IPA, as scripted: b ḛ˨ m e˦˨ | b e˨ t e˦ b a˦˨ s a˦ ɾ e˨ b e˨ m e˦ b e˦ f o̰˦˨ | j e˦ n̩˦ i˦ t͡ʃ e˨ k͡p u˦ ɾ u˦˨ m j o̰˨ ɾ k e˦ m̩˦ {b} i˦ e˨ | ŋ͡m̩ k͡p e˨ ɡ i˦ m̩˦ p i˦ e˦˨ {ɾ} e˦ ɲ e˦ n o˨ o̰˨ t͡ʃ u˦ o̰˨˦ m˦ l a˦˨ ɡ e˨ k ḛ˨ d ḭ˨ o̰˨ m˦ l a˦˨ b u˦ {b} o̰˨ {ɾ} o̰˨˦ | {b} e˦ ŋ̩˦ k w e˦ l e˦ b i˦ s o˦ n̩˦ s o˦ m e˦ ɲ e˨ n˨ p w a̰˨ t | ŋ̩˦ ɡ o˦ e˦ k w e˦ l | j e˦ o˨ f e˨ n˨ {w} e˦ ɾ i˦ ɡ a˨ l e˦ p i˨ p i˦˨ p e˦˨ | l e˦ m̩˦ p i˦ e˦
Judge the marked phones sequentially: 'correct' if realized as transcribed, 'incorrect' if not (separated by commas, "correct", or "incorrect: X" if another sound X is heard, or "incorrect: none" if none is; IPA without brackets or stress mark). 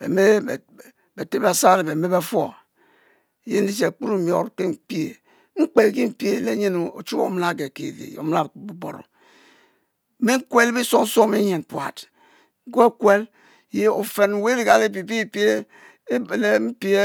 incorrect: p, incorrect: l, correct, correct, incorrect: m, correct